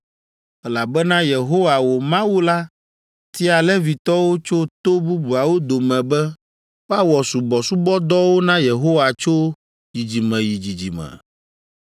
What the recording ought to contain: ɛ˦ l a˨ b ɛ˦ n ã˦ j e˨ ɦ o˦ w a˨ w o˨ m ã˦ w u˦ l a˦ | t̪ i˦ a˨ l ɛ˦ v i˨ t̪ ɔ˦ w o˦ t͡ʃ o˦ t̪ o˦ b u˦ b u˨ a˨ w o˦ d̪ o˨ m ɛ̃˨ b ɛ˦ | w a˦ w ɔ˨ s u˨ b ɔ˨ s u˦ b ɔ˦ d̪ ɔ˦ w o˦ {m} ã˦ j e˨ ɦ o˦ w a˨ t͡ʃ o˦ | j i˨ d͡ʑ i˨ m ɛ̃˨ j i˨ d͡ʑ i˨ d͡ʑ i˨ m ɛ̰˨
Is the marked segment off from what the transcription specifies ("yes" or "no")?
yes